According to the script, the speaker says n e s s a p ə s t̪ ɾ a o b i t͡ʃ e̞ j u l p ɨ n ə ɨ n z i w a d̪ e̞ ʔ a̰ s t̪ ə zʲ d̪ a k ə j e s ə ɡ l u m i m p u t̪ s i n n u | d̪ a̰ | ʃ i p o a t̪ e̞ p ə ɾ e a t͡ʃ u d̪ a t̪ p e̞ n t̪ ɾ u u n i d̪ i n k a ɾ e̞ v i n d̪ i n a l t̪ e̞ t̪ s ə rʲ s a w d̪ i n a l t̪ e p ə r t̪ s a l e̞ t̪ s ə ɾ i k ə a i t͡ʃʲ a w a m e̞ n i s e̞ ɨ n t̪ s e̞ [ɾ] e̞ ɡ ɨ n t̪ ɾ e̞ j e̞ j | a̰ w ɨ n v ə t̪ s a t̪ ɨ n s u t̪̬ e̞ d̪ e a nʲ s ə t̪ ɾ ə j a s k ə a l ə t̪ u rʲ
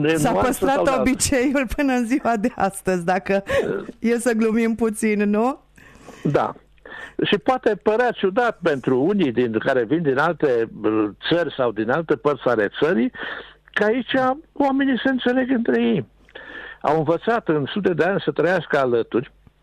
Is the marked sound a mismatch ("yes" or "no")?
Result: yes